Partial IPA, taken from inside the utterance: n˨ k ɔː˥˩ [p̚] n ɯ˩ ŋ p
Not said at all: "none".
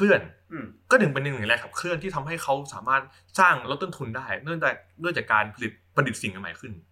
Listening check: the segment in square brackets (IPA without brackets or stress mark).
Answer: none